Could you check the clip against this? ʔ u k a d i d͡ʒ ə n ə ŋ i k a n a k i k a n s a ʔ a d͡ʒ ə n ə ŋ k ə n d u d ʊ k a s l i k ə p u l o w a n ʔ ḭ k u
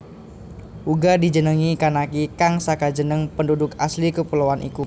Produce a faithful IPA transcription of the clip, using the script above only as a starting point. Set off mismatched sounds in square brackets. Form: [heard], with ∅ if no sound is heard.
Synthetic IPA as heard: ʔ u [ɡ] a d i d͡ʒ ə n ə ŋ i k a n a k i k a [ŋ] s a [k] a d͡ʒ ə n ə ŋ [p] ə n d u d ʊ k a s l i k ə p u l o w a n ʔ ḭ k u